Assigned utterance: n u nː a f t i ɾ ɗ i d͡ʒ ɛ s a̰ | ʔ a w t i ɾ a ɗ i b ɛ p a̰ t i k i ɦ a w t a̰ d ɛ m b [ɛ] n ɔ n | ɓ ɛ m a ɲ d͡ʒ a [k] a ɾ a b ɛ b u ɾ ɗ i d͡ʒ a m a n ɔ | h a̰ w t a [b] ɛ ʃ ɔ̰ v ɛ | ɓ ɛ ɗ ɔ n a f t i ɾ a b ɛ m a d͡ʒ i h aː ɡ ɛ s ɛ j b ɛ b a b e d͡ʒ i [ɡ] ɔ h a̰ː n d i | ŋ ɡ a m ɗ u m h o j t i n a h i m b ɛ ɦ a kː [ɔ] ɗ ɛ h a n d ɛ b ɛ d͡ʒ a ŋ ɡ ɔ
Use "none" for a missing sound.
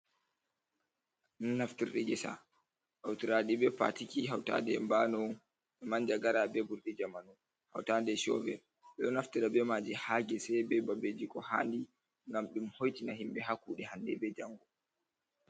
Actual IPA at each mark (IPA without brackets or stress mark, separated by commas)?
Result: a, ɡ, d, k, u